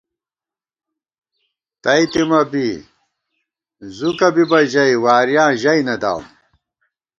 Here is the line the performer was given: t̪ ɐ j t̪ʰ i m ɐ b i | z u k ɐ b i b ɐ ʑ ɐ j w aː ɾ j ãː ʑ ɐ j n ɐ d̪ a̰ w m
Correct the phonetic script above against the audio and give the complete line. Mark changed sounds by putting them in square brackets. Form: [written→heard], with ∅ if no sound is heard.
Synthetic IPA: t̪ ɐ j [t̪ʰ→t̪] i m ɐ b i | z u k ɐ b i b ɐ ʑ ɐ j w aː ɾ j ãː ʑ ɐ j n ɐ d̪ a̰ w m